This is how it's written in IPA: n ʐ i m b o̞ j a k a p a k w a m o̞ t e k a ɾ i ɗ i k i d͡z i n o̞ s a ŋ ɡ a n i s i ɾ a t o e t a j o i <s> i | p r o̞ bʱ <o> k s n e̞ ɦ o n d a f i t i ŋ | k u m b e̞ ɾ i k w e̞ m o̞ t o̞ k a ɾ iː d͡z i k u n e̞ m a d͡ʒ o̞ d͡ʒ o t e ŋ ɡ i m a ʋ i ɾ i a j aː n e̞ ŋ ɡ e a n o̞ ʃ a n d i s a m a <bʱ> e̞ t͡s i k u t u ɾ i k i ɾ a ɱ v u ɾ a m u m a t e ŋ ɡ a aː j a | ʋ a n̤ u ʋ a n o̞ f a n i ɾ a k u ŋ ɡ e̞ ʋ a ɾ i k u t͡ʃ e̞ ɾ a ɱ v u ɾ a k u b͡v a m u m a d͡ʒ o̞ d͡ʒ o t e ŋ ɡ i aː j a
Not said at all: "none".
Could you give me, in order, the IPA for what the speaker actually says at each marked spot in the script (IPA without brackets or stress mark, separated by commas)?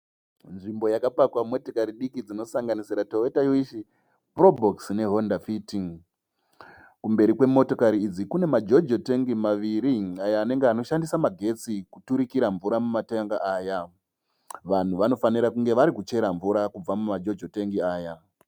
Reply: ʃ, o, ɡʱ